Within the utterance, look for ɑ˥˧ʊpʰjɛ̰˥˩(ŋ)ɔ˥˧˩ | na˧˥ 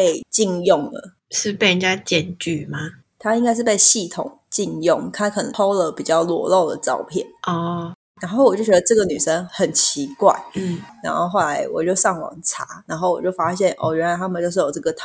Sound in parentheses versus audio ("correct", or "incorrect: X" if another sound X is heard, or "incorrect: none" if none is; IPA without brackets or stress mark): incorrect: n